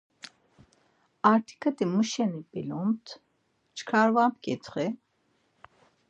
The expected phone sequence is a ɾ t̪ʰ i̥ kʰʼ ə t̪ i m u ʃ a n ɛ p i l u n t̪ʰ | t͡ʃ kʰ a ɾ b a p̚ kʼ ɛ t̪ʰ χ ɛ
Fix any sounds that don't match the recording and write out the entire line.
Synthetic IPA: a ɾ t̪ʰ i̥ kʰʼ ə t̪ i m u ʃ ɛ n i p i l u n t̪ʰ | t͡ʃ kʰ a ɾ v a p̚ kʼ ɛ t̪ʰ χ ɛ